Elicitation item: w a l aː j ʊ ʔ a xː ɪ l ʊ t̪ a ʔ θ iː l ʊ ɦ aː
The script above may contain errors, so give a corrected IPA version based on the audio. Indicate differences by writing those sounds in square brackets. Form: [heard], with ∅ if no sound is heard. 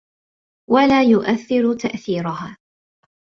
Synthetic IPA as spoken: w a l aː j ʊ ʔ a [θː] ɪ [ɾ] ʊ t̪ a ʔ θ iː [ɾ] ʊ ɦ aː